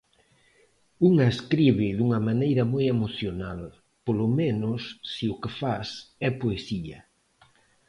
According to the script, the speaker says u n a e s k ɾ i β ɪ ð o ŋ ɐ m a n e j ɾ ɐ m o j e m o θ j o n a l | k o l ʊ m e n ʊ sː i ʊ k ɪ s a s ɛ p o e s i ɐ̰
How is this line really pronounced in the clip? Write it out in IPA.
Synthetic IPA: u ŋ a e s k ɾ i β ɪ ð u ŋ ɐ m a n e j ɾ ɐ m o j e m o θ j o n a l | p o l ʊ m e n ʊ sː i ʊ k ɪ f a s ɛ p o e s i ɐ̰